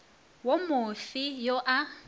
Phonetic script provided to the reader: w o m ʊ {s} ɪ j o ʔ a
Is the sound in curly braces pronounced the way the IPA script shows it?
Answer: no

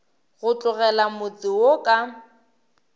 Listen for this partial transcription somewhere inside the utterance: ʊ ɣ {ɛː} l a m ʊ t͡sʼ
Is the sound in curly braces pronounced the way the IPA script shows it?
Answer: no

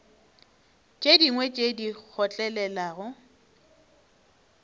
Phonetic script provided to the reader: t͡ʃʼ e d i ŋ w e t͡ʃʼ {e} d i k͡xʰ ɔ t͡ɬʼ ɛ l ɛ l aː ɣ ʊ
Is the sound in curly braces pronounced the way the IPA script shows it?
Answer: yes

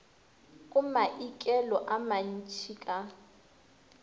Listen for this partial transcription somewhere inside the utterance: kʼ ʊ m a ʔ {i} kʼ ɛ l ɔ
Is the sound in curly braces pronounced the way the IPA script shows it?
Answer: yes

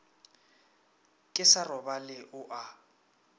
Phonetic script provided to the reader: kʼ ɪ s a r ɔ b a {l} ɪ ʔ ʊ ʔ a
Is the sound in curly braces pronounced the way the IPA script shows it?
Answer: yes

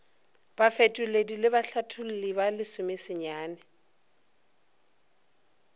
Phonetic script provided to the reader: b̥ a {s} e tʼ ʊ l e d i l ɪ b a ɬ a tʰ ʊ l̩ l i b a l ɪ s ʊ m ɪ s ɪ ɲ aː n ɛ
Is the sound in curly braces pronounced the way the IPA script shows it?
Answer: no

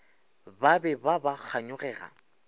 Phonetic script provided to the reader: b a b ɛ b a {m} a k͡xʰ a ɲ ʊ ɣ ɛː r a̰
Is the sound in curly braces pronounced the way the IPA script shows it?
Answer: no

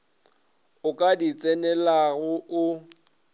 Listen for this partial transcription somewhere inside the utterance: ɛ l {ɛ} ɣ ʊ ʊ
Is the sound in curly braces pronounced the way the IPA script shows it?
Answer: no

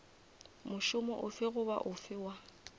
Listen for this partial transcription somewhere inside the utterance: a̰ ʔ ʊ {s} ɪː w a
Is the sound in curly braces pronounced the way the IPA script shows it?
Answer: no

